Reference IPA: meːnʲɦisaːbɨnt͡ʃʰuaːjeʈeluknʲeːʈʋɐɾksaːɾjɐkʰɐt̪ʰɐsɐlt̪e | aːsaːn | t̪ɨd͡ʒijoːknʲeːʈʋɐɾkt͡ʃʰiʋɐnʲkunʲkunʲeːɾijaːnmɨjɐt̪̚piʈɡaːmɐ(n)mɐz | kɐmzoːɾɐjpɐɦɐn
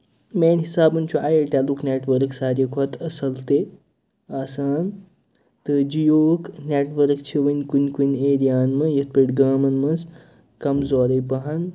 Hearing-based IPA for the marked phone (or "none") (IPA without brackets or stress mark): n